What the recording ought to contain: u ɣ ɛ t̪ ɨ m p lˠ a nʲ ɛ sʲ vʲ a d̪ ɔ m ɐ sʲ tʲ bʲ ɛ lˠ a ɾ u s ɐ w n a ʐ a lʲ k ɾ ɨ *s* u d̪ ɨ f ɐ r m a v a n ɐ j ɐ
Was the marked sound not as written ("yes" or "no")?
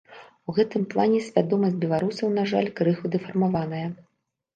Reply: yes